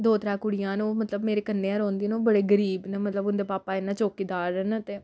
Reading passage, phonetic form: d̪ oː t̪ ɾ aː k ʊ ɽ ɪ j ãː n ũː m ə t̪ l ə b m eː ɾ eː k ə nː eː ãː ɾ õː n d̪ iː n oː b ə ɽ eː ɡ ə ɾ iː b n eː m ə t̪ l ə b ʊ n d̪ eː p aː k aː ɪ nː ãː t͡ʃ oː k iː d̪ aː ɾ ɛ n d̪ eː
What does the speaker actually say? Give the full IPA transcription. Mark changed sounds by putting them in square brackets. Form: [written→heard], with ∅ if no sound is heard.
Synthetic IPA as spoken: d̪ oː t̪ ɾ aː k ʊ ɽ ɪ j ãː n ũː m ə t̪ l ə b m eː ɾ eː k ə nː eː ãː ɾ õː n d̪ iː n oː b ə ɽ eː ɡ ə ɾ iː b n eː m ə t̪ l ə b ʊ n d̪ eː p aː [k→p] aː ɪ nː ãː t͡ʃ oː k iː d̪ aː ɾ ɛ n [d̪→t̪] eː